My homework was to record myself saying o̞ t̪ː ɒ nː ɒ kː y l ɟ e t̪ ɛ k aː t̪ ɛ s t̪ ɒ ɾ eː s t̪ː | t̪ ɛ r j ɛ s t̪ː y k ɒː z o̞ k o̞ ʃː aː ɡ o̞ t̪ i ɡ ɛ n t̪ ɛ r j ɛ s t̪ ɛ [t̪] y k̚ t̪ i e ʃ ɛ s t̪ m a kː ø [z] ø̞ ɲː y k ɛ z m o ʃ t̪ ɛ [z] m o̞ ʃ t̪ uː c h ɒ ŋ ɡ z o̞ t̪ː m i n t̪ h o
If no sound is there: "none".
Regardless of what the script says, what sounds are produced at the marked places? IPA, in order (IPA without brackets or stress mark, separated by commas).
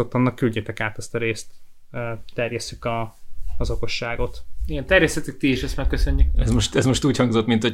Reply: t̪, s, z